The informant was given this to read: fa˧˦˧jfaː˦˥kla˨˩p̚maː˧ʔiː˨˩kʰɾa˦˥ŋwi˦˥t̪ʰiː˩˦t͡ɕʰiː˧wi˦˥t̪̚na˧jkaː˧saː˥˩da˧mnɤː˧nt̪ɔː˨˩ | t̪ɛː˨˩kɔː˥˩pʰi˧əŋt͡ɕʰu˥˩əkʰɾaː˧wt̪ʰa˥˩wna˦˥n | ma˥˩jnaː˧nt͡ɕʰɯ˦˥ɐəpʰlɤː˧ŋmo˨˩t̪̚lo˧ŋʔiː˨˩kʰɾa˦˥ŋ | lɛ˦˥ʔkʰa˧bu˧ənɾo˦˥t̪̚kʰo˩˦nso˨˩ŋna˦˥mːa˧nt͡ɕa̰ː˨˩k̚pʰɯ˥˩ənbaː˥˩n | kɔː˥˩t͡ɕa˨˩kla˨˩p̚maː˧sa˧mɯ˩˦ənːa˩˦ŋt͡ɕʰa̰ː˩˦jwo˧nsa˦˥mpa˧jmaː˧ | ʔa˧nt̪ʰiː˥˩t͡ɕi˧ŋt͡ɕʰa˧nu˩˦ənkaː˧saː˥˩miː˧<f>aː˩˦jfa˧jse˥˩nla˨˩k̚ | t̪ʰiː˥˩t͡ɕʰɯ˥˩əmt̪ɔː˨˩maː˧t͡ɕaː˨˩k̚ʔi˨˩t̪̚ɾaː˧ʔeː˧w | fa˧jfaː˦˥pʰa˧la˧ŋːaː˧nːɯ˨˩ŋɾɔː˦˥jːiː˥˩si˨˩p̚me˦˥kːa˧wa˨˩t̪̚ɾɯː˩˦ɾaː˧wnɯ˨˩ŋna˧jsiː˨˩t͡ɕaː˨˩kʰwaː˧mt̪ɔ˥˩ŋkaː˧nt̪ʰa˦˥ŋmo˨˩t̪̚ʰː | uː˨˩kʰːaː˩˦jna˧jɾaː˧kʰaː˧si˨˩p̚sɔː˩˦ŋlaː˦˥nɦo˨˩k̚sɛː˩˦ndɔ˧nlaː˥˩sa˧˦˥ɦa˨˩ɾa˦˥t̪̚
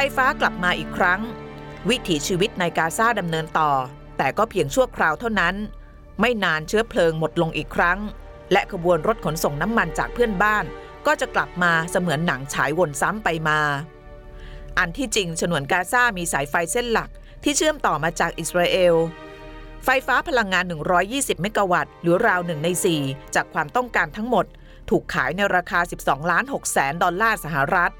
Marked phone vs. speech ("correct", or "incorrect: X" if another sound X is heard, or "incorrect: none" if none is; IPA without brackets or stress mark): incorrect: s